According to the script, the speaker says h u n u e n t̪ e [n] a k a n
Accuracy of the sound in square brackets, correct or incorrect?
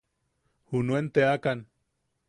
incorrect